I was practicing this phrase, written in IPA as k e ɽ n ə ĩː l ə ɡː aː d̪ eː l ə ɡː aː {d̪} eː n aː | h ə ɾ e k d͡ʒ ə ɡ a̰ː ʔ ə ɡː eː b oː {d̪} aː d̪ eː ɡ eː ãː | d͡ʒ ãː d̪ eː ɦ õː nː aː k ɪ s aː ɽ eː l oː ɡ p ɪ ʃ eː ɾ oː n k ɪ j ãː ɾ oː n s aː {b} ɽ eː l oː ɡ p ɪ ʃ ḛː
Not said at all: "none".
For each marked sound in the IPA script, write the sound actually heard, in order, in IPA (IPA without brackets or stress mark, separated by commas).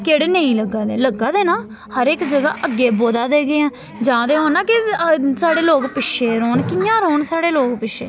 d̪, d̪, none